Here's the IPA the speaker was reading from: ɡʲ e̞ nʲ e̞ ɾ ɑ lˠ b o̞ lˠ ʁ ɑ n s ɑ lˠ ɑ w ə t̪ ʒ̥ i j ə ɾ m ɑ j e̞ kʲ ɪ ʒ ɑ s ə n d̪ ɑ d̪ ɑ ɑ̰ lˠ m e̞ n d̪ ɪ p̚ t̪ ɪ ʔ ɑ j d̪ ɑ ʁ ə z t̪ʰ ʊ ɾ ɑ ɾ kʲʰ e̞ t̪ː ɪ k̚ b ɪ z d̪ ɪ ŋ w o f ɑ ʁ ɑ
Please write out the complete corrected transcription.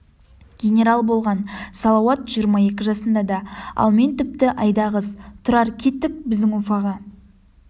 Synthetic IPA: ɡʲ e̞ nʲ e̞ ɾ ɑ lˠ b o̞ lˠ ʁ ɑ n s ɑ lˠ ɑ w ɑ t̪ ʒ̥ i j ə ɾ m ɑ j e̞ kʲ ɪ ʒ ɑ s ə n d̪ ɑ d̪ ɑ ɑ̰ lˠ m e̞ n t̪ ɪ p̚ t̪ ɪ ʔ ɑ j d̪ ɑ ʁ ə z t̪ʰ ʊ ɾ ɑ ɾ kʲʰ e̞ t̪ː ɪ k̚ b ɪ z d̪ ɪ ŋ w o f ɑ ʁ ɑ